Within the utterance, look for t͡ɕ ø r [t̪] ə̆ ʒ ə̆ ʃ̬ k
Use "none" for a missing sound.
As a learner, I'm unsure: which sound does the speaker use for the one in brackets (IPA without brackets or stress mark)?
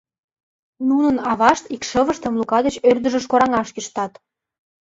d̪